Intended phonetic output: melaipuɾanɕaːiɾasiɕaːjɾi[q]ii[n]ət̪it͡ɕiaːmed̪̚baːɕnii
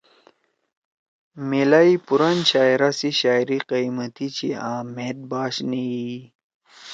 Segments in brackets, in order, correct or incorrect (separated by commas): correct, incorrect